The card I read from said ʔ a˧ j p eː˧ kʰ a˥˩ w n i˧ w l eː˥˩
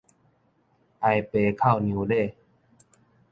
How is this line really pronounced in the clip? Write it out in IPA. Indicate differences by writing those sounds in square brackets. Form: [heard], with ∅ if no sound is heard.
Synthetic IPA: ʔ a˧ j p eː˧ kʰ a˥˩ w n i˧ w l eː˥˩